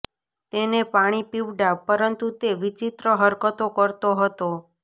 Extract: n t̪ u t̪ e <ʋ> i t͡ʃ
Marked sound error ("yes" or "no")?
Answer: no